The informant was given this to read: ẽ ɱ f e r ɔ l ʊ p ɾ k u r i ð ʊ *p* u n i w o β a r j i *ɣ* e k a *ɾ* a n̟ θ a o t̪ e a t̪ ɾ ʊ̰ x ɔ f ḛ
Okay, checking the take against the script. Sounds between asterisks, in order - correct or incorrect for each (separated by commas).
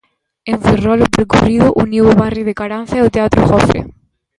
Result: incorrect, incorrect, correct